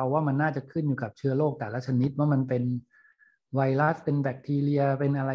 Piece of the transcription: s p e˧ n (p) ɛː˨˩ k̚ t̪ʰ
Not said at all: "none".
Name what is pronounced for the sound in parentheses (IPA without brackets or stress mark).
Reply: b